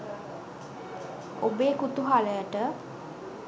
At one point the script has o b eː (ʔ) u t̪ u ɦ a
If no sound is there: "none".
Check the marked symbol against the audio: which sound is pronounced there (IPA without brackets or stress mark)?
k